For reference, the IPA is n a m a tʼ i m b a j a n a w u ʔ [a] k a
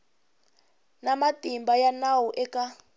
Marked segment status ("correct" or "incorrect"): incorrect